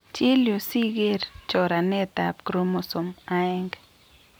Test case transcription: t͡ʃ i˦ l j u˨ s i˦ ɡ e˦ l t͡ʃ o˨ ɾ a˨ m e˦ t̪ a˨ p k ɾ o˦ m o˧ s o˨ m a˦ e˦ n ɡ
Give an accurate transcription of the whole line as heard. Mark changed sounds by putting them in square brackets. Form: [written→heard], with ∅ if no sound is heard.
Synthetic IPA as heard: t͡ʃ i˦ l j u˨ s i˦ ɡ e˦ [l→ɾ] t͡ʃ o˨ ɾ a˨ [m→n] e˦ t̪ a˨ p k ɾ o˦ m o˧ s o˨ m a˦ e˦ [n→ŋ] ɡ